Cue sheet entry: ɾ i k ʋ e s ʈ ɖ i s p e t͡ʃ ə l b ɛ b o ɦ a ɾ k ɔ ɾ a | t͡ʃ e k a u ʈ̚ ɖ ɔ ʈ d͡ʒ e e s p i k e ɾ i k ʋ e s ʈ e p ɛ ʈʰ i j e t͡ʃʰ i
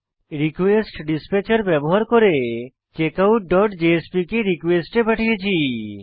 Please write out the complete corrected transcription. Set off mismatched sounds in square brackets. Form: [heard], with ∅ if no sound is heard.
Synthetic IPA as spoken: ɾ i k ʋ e s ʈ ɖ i s p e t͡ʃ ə [ɾ] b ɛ b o ɦ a ɾ k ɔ ɾ [e] | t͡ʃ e k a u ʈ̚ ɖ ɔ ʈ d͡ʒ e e s p i k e ɾ i k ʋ e s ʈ e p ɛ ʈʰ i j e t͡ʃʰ i